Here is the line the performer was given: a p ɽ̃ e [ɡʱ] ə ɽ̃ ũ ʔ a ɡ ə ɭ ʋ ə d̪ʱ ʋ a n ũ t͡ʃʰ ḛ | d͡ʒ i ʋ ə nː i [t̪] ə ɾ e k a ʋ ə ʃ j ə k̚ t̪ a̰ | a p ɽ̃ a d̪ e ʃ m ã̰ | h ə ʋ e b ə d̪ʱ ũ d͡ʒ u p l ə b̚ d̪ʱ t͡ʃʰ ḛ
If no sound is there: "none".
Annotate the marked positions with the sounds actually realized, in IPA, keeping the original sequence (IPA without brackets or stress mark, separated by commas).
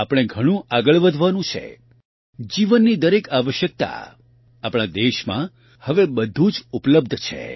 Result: ɡʱ, d̪